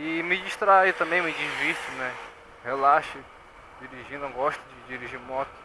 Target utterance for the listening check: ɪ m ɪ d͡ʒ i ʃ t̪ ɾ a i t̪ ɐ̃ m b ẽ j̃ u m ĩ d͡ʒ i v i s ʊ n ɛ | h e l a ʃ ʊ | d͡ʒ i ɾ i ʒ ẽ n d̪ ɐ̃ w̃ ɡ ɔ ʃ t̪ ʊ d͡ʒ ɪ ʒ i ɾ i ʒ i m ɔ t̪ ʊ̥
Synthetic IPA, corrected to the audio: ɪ m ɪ d͡ʒ i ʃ t̪ ɾ a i t̪ ɐ̃ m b ẽ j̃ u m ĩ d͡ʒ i v i s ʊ n ɛ | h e l a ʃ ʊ | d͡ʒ i ɾ i ʒ ĩ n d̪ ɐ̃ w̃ ɡ ɔ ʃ t̪ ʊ d͡ʒ ɪ d͡ʒ i ɾ i ʒ i m ɔ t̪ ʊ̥